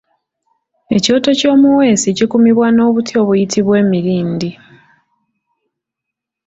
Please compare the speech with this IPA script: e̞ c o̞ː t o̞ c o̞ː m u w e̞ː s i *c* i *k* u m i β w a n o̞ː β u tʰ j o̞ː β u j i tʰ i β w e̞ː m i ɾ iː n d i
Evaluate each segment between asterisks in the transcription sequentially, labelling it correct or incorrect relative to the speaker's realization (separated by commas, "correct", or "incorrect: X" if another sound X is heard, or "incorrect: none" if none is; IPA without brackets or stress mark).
correct, correct